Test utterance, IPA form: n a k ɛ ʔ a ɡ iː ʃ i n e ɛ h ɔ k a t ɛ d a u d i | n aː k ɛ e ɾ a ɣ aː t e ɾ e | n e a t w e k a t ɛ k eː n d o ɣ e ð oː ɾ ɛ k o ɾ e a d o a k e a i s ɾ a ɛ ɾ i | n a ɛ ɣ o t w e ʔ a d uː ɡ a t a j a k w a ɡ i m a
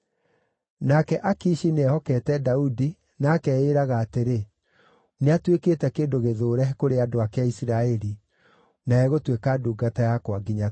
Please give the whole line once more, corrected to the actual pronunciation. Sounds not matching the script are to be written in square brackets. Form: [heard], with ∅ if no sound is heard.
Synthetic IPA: n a k ɛ ʔ a [k] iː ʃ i n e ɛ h ɔ k [ɛ] t ɛ d a u d i | n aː k ɛ e ɾ a ɣ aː t e ɾ e | n e a t w e k [e] t ɛ k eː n d o ɣ e ð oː ɾ ɛ k o ɾ e a d o a k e a i s ɾ a ɛ ɾ i | n a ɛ ɣ o t w e [k] a d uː ɡ a t a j a k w a ɡ i [ɲ] a